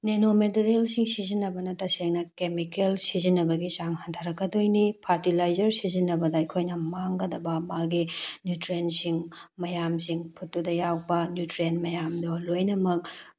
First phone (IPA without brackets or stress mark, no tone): n